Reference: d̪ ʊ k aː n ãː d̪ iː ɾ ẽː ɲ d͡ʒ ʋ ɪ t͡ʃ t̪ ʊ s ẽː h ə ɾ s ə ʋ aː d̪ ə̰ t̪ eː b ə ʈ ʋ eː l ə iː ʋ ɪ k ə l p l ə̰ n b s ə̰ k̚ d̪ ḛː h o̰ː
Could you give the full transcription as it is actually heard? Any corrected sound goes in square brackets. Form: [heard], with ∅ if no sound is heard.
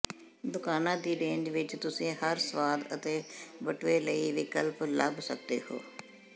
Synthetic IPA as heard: d̪ ʊ k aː n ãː d̪ iː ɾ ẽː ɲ d͡ʒ ʋ ɪ t͡ʃ t̪ ʊ s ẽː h ə ɾ s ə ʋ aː d̪ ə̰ t̪ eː b ə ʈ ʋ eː l ə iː ʋ ɪ k ə l p l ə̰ [∅] b s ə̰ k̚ d̪ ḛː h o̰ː